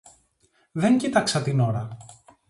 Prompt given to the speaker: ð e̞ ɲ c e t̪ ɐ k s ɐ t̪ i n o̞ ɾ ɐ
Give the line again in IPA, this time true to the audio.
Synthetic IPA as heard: ð e̞ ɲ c i t̪ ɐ k s ɐ t̪ i n o̞ ɾ ɐ